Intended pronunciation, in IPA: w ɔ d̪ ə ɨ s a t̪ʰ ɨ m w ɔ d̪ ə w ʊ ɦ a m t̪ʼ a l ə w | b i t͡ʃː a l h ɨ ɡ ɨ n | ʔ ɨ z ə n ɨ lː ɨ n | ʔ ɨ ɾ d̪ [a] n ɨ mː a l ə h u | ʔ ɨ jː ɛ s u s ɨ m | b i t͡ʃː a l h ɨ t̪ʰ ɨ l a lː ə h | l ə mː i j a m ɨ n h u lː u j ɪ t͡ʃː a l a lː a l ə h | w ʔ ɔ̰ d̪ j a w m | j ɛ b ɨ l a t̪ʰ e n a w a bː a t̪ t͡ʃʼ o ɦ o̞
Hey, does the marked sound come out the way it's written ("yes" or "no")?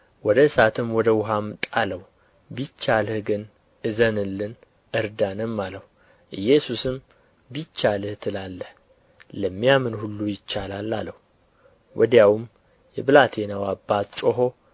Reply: yes